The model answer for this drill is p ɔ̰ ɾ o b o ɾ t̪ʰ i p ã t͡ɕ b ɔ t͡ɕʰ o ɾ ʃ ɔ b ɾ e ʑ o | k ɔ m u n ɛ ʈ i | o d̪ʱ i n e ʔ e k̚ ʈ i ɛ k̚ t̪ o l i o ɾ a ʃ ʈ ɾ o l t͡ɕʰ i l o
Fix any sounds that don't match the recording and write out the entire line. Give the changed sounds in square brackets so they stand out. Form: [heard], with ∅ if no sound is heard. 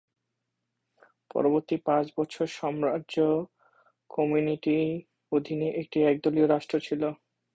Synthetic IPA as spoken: p ɔ̰ ɾ o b o ɾ [t̪] i p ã t͡ɕ b ɔ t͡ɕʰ o ɾ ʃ ɔ [m] ɾ [a] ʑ o | k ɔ m u n [i] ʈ i | o d̪ʱ i n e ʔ e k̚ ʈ i ɛ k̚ [d̪] o l i o ɾ a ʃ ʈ ɾ o [∅] t͡ɕʰ i l o

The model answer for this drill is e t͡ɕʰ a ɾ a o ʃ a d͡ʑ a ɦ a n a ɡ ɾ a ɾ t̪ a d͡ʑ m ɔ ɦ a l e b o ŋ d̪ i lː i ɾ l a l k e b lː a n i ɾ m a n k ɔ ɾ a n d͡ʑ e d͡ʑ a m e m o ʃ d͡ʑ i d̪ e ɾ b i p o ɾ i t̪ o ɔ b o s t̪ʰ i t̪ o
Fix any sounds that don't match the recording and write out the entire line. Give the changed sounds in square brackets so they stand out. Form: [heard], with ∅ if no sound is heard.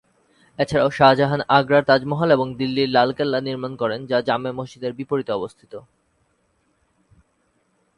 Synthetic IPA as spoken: e t͡ɕʰ a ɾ a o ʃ a d͡ʑ a ɦ a n a ɡ ɾ a ɾ t̪ a d͡ʑ m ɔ ɦ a l e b o ŋ d̪ i lː i ɾ l a l k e [∅] lː a n i ɾ m a n k ɔ ɾ [e] n d͡ʑ [a] d͡ʑ a m e m o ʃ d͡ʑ i d̪ e ɾ b i p o ɾ i t̪ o ɔ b o s t̪ʰ i t̪ o

